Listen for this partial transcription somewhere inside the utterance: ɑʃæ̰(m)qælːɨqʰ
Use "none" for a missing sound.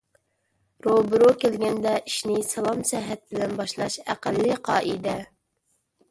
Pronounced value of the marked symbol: none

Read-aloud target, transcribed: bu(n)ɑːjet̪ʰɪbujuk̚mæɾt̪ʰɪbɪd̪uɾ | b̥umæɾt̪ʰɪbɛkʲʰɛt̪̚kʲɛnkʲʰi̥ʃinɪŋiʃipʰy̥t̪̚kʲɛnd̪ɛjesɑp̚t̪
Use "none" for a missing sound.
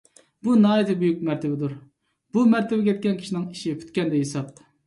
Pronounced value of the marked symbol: n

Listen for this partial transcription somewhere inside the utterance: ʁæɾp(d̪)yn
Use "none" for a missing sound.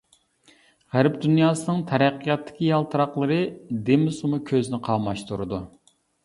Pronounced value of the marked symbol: d̪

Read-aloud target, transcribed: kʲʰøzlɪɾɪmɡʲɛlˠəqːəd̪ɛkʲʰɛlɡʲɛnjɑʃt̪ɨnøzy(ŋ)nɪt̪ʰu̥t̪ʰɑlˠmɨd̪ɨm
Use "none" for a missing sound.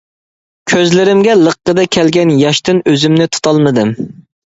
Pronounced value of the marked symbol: m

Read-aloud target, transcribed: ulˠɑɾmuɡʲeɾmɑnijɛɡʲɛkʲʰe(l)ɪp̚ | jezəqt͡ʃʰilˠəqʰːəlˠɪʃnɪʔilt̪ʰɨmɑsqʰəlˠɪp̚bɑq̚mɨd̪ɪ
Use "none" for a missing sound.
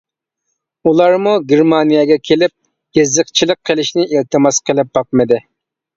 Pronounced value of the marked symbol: l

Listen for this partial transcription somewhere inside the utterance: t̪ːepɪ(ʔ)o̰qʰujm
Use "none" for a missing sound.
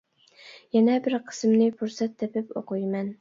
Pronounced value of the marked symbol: p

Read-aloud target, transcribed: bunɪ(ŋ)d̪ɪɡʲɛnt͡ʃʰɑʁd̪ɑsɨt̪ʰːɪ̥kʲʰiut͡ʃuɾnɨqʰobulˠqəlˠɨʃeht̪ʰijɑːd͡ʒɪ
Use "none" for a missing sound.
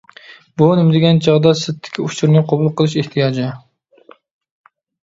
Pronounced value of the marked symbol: m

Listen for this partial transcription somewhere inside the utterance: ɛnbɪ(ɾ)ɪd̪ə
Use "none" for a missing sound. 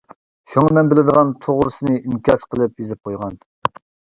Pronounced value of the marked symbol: l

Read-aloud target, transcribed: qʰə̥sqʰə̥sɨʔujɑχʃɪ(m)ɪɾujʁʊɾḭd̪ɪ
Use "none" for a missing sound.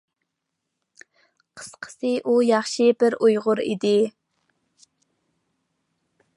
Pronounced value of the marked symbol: b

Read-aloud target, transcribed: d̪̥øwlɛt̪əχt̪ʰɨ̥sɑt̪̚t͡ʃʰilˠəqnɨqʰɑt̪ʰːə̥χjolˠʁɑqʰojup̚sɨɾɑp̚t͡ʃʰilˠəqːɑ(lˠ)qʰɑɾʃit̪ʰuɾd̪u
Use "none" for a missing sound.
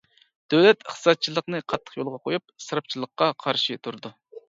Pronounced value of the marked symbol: none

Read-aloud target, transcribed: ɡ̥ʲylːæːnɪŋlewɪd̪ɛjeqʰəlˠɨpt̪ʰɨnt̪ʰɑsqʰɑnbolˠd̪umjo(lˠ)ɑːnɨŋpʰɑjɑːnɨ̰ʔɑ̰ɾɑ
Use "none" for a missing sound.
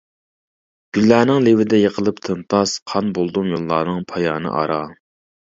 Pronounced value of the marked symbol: lˠː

